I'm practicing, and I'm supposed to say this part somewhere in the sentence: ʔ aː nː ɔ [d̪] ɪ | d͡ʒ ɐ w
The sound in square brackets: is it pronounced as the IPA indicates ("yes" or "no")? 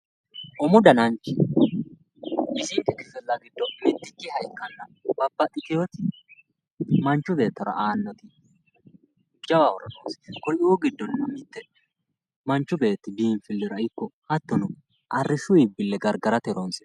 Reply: no